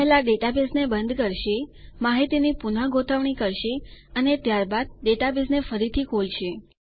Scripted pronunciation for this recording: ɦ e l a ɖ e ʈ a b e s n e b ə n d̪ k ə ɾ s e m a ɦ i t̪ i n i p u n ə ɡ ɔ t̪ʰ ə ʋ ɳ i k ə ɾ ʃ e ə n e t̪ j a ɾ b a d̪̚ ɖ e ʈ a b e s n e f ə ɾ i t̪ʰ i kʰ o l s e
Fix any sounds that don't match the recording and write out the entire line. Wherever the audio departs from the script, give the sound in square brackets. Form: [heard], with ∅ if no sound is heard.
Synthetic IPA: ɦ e l a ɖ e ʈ a b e s n e b ə n d̪ k ə ɾ [ʃ] e m a ɦ i t̪ i n i p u n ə ɡ [o] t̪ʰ ə ʋ ɳ i k ə ɾ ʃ e ə n e t̪ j a ɾ b a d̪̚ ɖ e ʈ a b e s n e f ə ɾ i t̪ʰ i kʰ o l [ʃ] e